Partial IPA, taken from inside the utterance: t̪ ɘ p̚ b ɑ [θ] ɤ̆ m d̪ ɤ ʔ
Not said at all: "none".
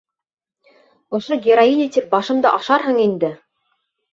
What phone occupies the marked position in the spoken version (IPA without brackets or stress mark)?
ʃ